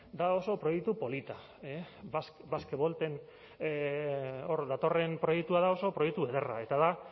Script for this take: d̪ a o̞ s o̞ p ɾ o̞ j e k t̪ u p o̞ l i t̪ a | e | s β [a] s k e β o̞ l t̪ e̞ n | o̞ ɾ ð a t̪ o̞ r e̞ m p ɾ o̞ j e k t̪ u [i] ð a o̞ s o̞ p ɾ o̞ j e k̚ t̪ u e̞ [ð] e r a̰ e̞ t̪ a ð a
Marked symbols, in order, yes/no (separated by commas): yes, no, yes